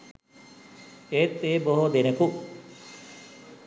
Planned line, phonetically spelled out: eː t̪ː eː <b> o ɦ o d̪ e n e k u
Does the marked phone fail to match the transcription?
no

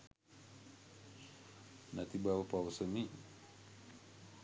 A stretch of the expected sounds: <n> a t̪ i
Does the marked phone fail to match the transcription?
no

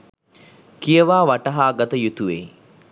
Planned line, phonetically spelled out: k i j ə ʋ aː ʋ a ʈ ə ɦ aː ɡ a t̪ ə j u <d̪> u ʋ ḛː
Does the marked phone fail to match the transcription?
yes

